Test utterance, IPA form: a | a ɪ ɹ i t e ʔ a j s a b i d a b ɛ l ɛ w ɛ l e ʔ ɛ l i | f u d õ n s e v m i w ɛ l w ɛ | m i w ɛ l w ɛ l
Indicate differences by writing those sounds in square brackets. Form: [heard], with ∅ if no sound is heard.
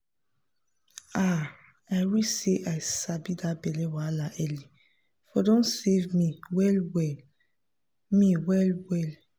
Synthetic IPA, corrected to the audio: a | a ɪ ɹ i [s] e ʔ a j s a b i d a b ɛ l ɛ w [a] l [a] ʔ ɛ l i | f [ɔ] d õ n s e v m i w ɛ l w ɛ | m i w ɛ l w ɛ l